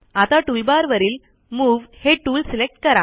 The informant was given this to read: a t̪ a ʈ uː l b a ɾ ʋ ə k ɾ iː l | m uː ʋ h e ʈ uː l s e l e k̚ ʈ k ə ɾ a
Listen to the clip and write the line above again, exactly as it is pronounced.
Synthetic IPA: a t̪ a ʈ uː l b a ɾ ʋ ə ɾ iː l | m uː ʋ h e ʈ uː l s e l e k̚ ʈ k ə ɾ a